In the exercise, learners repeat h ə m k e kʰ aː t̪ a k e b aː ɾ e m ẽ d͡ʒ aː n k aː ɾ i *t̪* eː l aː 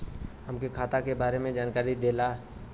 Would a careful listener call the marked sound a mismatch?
yes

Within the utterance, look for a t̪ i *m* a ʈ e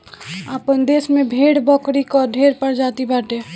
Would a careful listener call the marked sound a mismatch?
yes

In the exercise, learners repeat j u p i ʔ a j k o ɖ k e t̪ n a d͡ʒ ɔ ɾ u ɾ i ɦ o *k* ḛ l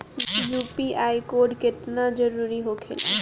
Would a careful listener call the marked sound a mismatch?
yes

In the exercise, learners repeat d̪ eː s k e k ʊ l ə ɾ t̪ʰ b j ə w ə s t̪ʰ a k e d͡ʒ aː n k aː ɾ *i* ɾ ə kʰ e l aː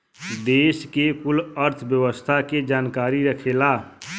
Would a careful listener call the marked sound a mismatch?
no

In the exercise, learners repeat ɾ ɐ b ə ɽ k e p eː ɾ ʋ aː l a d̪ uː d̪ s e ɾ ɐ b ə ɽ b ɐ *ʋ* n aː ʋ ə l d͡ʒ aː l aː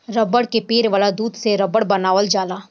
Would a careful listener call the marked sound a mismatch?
yes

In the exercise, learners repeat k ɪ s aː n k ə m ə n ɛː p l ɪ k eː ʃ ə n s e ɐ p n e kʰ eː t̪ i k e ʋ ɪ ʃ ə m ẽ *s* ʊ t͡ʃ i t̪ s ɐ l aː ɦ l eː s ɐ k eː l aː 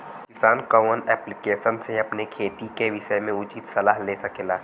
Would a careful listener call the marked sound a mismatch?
yes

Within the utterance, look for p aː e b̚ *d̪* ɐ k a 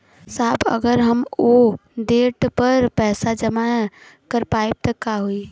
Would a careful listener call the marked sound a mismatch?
yes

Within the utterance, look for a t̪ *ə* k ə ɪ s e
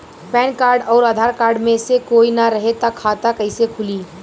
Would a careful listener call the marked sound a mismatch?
yes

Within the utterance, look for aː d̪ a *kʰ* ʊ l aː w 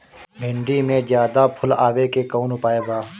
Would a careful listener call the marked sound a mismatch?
yes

